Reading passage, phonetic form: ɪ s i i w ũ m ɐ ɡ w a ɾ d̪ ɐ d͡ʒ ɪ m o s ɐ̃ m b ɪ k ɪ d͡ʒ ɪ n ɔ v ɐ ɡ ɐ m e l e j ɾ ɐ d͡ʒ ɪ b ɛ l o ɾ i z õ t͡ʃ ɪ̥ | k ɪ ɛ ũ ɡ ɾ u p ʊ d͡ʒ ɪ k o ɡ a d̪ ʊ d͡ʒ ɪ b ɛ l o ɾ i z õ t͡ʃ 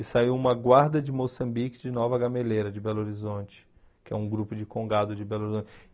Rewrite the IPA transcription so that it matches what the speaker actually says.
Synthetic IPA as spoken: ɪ s a i w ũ m ɐ ɡ w a ɾ d̪ ɐ d͡ʒ ɪ m o s ɐ̃ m b i k ɪ d͡ʒ ɪ n ɔ v ɐ ɡ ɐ m e l e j ɾ ɐ d͡ʒ ɪ b ɛ l o ɾ i z õ t͡ʃ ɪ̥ | k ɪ ɛ ũ ɡ ɾ u p ʊ d͡ʒ ɪ k õ ɡ a d̪ ʊ d͡ʒ ɪ b ɛ l o ɾ i z õ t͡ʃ